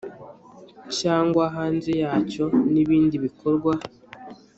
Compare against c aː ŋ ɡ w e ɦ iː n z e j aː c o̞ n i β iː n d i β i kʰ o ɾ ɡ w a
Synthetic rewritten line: c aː ŋ ɡ w a ɦ aː n z e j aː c o̞ n i β iː n d i β i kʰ o ɾ ɡ w a